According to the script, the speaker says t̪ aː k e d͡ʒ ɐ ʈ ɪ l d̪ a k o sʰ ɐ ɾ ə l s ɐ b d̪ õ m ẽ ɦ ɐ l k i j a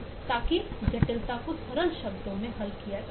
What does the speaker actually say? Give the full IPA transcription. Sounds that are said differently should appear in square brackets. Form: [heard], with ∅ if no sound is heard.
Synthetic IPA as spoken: t̪ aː k [i] d͡ʒ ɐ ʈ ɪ l [t̪] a k o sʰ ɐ ɾ ə l [ʃ] ɐ b d̪ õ m ẽ ɦ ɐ l k i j a